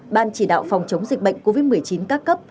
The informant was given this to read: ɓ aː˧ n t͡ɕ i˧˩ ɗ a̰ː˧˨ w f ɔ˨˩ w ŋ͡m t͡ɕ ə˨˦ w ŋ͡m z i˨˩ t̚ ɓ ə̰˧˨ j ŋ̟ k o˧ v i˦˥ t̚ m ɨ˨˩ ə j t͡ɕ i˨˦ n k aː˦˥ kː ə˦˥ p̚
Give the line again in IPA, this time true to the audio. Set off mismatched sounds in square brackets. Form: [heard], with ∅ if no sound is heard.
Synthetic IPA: ɓ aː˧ n t͡ɕ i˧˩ ɗ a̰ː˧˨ w f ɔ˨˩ w ŋ͡m t͡ɕ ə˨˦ w ŋ͡m z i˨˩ [k̚] ɓ ə̰˧˨ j ŋ̟ k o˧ v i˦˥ t̚ m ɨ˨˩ ə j t͡ɕ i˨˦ n k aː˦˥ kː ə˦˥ p̚